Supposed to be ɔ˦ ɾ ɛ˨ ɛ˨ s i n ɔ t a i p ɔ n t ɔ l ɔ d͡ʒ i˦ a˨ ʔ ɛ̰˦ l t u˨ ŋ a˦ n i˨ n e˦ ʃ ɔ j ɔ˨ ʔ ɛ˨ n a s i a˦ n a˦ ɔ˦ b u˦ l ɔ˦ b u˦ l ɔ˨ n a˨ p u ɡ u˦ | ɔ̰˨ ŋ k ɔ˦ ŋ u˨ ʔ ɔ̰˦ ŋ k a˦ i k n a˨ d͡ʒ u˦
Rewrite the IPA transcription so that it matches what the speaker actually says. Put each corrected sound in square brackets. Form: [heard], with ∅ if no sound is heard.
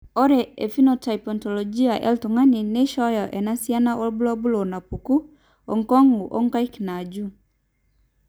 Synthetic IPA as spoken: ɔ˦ ɾ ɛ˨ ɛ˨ [f] i n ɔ t a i p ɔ n t ɔ l ɔ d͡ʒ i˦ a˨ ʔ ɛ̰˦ l t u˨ ŋ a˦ n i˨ n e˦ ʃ ɔ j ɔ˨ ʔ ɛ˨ n a s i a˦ n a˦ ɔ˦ b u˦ l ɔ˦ b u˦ l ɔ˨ n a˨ p u [k] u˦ | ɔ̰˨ ŋ k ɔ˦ ŋ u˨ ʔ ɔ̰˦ ŋ k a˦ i k n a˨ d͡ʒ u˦